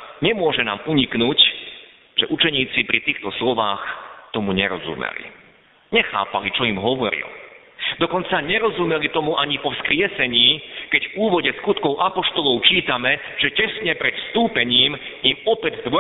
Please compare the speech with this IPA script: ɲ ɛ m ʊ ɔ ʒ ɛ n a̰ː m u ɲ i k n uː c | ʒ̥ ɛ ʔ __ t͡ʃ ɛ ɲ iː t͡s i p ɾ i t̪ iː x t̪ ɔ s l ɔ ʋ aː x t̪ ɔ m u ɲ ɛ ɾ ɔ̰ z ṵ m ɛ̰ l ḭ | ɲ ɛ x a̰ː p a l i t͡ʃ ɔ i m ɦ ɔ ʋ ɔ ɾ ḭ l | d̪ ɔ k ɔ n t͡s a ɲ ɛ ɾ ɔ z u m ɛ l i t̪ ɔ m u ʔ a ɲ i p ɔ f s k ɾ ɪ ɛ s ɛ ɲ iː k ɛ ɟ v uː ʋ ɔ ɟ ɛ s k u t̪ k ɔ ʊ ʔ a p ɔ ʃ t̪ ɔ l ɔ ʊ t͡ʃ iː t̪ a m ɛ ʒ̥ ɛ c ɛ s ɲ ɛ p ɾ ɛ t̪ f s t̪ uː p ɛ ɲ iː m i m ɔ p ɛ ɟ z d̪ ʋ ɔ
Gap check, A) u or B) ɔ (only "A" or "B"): A